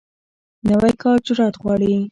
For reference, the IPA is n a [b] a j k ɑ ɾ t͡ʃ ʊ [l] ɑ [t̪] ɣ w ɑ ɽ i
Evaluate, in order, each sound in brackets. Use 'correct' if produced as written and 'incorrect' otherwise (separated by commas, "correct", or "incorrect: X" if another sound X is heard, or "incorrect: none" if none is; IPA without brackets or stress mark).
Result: incorrect: w, incorrect: ɾ, correct